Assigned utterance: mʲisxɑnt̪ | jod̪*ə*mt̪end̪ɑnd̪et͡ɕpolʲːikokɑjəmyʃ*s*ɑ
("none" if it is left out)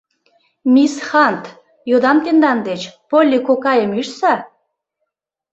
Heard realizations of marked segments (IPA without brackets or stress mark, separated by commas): ɑ, s